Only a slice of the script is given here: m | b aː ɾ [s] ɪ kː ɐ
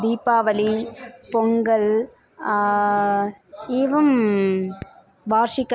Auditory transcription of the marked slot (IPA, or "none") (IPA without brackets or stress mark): ʂ